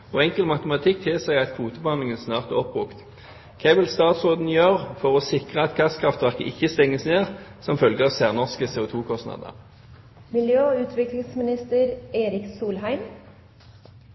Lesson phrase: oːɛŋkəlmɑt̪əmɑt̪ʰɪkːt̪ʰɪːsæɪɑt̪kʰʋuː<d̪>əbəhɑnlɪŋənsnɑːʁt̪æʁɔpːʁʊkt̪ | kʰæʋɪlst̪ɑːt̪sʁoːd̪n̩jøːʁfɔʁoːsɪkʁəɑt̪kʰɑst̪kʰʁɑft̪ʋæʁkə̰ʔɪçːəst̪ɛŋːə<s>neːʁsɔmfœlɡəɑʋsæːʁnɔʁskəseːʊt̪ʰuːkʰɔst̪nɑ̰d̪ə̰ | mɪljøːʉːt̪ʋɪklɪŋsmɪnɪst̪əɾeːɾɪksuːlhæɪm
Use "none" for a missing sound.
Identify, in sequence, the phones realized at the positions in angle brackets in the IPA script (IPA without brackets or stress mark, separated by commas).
t̪, s